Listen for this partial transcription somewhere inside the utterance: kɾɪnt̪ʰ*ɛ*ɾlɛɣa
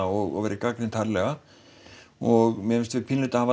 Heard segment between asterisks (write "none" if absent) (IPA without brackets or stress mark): a